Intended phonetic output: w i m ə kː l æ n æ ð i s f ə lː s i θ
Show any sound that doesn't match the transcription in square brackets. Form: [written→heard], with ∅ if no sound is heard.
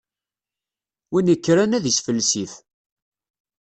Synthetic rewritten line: w i [m→n] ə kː [l→ɾ] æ n æ ð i s f ə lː s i θ